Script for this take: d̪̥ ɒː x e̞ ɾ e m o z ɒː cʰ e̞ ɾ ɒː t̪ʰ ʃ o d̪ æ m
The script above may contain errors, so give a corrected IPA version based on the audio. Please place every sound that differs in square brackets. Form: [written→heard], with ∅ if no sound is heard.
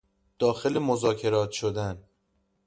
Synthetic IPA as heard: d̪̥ ɒː x e̞ [ɾ→l] e m o z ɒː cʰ e̞ ɾ ɒː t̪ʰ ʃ o d̪ æ [m→n]